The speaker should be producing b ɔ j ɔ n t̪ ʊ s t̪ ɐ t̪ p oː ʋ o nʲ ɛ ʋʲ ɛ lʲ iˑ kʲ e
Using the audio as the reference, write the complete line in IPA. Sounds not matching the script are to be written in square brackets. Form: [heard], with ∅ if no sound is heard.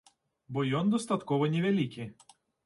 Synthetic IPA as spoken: b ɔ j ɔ n [d̪] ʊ s t̪ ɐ t̪ [k] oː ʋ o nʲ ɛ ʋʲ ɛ lʲ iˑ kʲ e